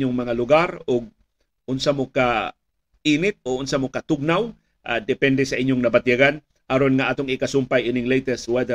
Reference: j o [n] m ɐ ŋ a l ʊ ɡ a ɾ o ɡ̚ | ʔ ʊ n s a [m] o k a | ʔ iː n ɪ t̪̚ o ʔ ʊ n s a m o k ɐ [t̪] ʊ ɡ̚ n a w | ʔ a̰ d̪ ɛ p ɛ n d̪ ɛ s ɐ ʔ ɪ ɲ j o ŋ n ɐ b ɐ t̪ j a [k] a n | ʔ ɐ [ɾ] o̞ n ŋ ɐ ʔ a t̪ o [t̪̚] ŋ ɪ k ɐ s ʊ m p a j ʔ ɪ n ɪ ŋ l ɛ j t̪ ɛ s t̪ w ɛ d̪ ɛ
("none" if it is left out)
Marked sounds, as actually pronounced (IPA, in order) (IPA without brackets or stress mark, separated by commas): ŋ, m, t̪, ɡ, ɾ, none